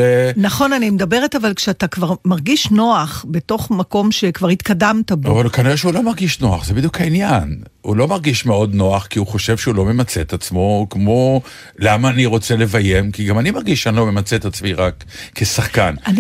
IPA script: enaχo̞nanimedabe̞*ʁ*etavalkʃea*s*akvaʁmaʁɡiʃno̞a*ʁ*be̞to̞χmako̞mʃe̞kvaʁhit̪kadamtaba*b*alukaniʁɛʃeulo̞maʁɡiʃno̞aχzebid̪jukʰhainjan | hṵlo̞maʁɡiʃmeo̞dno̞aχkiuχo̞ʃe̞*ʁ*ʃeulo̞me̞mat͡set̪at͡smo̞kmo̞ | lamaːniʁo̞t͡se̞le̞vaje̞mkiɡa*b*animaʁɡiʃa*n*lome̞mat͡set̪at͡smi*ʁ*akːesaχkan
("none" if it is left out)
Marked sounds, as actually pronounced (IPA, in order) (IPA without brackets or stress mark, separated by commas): ʁ, t, χ, v, v, m, n, ʁ